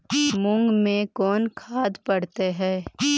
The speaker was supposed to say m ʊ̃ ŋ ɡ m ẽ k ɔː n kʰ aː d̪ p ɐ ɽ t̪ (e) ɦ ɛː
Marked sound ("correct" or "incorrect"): correct